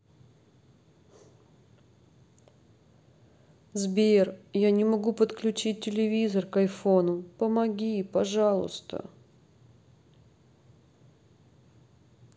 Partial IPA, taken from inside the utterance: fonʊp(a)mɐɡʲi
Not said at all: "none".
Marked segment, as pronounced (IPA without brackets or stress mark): ə